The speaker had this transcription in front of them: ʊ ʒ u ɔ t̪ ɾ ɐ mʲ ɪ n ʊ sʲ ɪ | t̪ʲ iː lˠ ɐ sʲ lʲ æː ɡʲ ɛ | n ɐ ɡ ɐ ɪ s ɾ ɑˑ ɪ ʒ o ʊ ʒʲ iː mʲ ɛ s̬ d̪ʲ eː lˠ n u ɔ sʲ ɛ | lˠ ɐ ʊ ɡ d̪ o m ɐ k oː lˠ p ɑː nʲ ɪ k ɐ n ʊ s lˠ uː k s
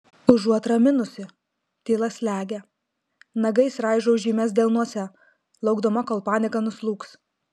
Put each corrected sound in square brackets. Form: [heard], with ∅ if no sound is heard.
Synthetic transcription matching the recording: ʊ ʒ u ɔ t̪ ɾ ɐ mʲ ɪ n ʊ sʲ ɪ | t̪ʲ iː lˠ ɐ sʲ lʲ æː ɡʲ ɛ | n ɐ ɡ ɐ ɪ s ɾ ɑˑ ɪ ʒ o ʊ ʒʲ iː mʲ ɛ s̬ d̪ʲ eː lˠ n u ɔ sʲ ɛ | lˠ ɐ ʊ ɡ d̪ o m ɐ k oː lˠ p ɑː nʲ ɪ k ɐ n ʊ s lˠ uː k s